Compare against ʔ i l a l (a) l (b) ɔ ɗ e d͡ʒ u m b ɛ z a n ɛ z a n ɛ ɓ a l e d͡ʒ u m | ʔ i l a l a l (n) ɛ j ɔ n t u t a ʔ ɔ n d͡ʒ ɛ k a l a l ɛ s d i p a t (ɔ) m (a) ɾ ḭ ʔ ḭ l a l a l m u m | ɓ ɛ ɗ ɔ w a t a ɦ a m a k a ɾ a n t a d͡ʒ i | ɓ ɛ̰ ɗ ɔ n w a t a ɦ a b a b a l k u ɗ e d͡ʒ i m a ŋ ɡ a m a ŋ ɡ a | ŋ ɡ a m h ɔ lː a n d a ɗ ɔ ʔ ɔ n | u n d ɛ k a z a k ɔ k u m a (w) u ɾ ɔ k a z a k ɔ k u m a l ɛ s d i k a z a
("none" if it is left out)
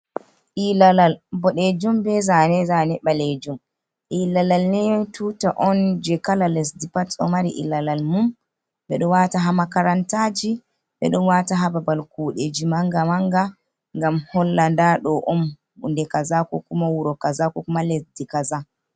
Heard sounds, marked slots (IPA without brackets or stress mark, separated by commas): a, b, n, ɔ, a, w